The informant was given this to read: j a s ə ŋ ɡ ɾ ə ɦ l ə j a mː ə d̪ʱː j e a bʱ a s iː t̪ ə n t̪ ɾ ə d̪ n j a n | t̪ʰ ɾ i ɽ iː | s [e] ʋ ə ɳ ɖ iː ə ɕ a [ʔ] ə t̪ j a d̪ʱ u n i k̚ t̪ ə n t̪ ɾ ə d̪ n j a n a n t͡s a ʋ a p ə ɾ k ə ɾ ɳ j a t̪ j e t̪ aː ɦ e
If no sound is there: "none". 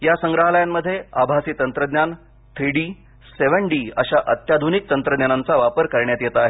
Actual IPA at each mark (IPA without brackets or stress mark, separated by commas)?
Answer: e, ʔ